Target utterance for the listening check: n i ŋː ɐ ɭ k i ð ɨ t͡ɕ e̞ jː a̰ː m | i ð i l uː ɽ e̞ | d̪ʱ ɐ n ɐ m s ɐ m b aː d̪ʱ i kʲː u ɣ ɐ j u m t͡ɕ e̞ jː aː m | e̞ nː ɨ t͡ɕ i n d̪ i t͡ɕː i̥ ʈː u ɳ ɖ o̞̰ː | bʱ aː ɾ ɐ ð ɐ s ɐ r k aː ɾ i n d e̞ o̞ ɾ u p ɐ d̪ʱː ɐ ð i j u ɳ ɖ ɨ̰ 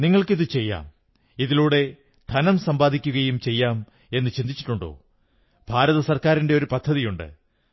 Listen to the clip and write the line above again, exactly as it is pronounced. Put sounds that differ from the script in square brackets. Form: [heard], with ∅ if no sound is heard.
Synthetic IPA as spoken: n i ŋː ɐ ɭ k i ð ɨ t͡ɕ e̞ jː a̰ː m | i ð i l uː ɽ e̞ | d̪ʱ ɐ n ɐ m s ɐ m b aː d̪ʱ i kʲː u ɣ ɐ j u m t͡ɕ e̞ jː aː m | e̞ nː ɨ t͡ɕ i n d̪ i t͡ɕː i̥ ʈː u ɳ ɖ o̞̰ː | bʱ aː ɾ ɐ ð ɐ s ɐ r k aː ɾ i n d e̞ o̞ ɾ u p ɐ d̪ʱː ɐ ð i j u ɳ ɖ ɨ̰